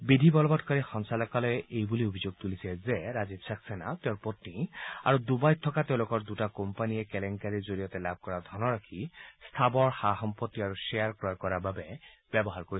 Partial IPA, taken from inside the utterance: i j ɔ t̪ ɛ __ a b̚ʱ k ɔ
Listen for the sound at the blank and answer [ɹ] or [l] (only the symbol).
l